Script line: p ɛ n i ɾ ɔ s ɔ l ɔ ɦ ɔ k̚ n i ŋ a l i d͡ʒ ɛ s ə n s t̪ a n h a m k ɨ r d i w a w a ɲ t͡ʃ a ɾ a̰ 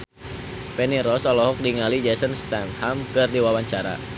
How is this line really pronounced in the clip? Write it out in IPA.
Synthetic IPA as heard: p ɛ n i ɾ ɔ s ɔ l ɔ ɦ ɔ k̚ d i ŋ a l i d͡ʒ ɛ s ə n s t̪ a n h a m k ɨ r d i w a w a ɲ t͡ʃ a ɾ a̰